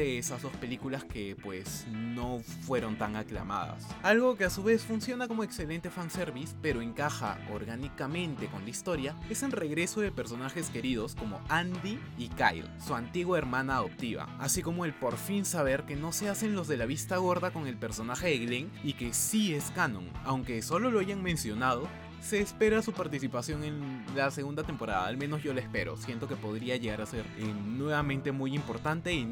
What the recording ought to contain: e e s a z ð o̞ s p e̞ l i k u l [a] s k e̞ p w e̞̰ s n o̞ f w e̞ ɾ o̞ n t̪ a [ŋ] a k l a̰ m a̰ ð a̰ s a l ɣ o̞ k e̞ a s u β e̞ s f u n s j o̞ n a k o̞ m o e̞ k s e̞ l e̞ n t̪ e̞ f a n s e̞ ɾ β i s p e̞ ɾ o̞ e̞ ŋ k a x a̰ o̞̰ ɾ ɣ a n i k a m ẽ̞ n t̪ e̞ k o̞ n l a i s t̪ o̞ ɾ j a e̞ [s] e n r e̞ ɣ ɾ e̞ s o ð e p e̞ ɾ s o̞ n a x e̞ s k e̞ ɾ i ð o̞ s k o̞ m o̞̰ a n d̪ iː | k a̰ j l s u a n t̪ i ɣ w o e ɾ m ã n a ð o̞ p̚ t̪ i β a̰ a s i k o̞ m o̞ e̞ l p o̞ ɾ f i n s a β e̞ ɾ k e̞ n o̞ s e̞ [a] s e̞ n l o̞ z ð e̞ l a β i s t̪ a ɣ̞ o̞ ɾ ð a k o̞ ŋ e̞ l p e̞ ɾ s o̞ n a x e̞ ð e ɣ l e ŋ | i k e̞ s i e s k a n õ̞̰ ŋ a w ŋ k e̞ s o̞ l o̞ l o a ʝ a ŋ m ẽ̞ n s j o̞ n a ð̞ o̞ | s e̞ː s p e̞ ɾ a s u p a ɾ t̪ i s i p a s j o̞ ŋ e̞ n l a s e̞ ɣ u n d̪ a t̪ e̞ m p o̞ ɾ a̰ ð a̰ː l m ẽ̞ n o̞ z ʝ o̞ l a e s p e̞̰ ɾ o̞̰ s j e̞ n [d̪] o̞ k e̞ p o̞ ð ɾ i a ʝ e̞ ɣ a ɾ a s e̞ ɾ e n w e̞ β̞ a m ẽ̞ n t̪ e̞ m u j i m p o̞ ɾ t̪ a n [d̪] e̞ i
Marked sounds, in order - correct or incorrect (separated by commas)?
correct, correct, correct, correct, incorrect, incorrect